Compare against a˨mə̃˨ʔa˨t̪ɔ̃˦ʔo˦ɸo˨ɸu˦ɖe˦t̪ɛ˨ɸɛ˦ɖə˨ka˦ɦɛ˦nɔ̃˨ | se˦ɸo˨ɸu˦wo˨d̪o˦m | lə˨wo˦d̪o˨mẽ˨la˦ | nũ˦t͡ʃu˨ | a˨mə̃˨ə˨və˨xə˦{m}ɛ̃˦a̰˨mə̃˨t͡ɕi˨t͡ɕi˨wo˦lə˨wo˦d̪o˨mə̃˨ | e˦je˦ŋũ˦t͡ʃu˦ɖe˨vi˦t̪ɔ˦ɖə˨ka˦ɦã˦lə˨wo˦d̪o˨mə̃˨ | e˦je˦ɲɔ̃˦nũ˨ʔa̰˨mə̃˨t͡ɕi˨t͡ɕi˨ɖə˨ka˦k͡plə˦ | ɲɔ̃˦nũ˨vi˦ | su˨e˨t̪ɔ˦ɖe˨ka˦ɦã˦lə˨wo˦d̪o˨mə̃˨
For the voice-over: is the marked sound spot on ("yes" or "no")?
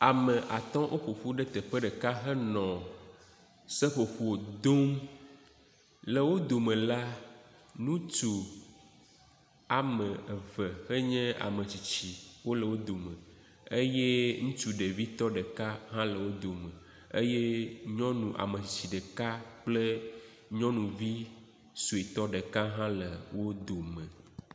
no